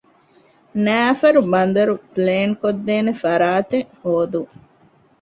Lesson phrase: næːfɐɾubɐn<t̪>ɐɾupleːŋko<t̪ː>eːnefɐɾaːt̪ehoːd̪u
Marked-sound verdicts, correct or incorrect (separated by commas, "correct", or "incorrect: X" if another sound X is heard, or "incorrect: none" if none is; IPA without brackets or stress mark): incorrect: d̪, incorrect: d̪ː